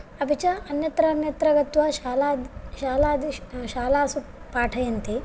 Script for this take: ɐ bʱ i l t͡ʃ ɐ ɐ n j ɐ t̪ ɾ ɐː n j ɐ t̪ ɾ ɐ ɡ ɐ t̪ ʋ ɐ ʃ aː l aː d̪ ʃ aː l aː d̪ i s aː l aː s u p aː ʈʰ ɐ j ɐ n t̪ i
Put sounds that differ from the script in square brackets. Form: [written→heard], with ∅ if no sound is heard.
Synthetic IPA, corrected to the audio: ɐ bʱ i [l→∅] t͡ʃ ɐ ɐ n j ɐ t̪ ɾ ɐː n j ɐ t̪ ɾ ɐ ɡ ɐ t̪ ʋ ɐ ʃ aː l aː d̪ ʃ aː l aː d̪ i [s→ʃ] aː l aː s u p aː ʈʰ ɐ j ɐ n t̪ i